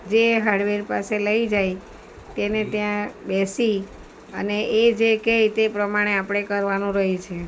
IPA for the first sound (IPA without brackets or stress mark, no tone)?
d͡ʒ